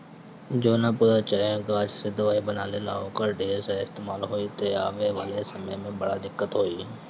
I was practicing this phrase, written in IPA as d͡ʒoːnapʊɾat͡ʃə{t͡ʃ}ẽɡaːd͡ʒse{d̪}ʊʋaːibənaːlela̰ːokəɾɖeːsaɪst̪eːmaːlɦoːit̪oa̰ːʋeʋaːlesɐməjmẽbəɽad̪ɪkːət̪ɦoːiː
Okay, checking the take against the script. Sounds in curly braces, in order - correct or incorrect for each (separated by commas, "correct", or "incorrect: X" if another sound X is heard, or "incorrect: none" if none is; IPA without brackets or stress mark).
incorrect: none, correct